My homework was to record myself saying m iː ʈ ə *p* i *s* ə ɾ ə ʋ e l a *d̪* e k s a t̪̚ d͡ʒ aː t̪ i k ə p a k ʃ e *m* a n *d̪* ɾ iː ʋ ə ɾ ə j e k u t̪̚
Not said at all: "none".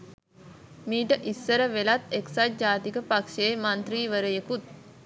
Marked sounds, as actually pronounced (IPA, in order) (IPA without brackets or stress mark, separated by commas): ʔ, sː, t̪, m, t̪